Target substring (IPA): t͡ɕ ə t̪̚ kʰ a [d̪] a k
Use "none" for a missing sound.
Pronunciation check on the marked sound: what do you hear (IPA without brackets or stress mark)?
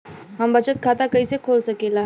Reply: t̪